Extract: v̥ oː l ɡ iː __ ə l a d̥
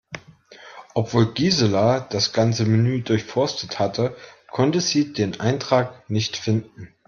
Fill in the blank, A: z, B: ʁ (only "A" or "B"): A